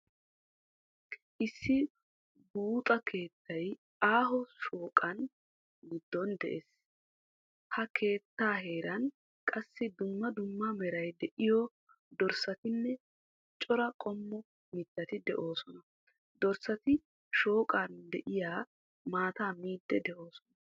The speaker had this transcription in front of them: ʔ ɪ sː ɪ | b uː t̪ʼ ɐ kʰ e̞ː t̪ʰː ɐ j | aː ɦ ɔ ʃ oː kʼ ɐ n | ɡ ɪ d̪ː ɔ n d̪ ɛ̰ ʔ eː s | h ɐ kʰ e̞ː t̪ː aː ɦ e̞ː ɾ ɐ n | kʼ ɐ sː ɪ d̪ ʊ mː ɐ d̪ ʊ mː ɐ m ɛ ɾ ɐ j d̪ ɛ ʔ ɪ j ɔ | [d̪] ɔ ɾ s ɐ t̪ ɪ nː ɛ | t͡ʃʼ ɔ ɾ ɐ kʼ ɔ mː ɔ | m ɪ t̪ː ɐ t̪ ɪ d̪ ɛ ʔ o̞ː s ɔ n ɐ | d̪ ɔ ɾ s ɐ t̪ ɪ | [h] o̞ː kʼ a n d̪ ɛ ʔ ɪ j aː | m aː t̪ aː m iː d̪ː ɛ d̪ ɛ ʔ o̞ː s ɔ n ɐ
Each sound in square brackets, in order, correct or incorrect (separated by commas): correct, incorrect